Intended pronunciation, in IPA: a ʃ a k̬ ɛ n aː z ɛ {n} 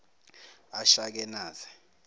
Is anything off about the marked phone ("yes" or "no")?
yes